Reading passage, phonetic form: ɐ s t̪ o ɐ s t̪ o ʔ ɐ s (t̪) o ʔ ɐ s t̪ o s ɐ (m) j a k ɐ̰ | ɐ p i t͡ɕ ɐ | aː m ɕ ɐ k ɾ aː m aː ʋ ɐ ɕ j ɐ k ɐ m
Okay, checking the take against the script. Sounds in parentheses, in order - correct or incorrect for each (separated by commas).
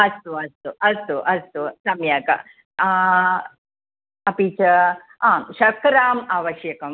correct, correct